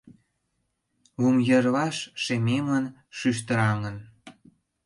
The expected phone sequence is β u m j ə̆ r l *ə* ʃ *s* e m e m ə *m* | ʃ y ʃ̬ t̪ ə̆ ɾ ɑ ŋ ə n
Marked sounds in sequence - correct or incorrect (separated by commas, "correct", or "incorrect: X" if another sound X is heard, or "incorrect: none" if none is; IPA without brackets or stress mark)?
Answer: incorrect: ɑ, incorrect: ʃ, incorrect: n